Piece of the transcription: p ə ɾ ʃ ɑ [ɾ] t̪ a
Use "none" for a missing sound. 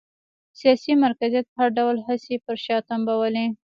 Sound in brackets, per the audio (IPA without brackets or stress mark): none